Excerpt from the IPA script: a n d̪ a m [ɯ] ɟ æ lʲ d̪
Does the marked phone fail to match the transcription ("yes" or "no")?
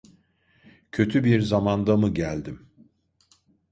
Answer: no